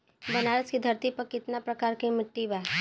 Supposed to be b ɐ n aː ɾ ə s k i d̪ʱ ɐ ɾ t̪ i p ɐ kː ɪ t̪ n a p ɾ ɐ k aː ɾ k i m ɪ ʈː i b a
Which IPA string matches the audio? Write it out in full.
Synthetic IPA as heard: b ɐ n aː ɾ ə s k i d̪ʱ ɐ ɾ t̪ i p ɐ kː ɪ t̪ n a p ɾ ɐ k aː ɾ k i m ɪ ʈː i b a